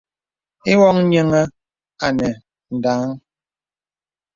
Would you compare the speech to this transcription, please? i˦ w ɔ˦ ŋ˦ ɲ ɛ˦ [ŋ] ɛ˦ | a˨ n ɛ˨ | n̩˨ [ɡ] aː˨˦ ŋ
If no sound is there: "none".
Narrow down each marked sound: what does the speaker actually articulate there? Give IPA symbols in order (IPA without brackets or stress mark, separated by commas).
ŋ, d